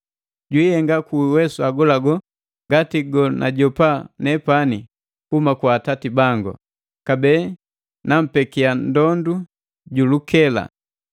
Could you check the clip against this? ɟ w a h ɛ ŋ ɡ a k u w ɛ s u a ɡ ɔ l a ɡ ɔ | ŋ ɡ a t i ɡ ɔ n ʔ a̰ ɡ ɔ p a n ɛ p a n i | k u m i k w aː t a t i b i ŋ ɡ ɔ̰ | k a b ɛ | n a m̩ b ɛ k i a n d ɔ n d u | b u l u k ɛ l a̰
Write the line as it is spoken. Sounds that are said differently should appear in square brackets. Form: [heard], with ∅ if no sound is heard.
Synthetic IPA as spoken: ɟ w [i] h ɛ ŋ ɡ a k u w ɛ s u a ɡ ɔ l a ɡ ɔ | ŋ ɡ a t i ɡ ɔ n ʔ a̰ [ɟ] ɔ p a n ɛ p a n i | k u m [a] k w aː t a t i b [a] ŋ ɡ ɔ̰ | k a b ɛ | n a m̩ [p] ɛ k i a n d ɔ n d u | [ɟ] u l u k ɛ l a̰